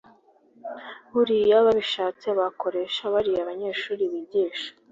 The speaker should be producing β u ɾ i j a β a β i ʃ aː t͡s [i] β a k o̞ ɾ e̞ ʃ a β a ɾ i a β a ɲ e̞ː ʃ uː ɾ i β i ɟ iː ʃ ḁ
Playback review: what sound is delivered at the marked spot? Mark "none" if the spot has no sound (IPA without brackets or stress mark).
e